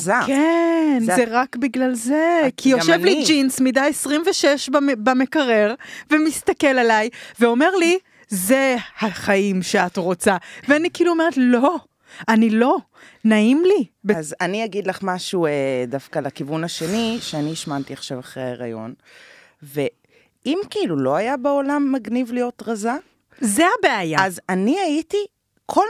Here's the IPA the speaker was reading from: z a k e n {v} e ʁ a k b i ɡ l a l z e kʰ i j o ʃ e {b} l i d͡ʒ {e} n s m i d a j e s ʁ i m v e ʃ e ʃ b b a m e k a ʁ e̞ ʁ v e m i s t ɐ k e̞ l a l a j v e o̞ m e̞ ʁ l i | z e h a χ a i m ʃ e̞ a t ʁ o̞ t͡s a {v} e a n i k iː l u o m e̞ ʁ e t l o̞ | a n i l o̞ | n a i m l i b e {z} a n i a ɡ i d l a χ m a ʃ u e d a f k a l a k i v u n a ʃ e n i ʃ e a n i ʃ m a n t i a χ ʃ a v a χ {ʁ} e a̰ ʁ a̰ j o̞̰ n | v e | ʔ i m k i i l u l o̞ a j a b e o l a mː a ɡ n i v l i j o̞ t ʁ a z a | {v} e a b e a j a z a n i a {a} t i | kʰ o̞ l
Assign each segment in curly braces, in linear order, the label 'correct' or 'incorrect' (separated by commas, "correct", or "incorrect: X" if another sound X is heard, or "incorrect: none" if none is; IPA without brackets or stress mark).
incorrect: z, incorrect: v, incorrect: i, correct, correct, correct, incorrect: z, incorrect: i